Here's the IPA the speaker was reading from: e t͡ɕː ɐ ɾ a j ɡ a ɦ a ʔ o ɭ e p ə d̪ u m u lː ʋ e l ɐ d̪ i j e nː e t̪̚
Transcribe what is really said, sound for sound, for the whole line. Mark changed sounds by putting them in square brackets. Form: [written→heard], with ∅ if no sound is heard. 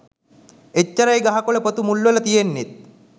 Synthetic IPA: e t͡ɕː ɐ ɾ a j ɡ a ɦ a [ʔ→k] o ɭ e p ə [d̪→t̪] u m u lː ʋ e l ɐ [d̪→t̪] i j e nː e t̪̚